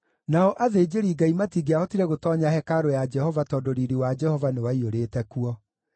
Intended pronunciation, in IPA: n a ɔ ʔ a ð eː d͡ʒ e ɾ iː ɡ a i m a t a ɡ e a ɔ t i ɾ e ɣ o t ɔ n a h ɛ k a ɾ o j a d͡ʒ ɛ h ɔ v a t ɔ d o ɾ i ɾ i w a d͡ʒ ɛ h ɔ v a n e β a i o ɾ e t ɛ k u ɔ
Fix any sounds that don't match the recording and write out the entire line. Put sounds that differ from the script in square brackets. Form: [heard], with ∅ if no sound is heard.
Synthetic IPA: n a ɔ ʔ a ð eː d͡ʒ e ɾ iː ɡ a i m a t [i] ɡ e a ɔ t i ɾ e ɣ o t ɔ [ɲ] a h ɛ k a ɾ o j a d͡ʒ ɛ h ɔ v a t ɔ d o ɾ i ɾ i w a d͡ʒ ɛ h ɔ v a n e [w] a i o ɾ e t ɛ k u ɔ